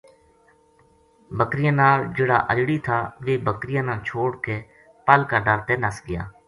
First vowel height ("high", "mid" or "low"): mid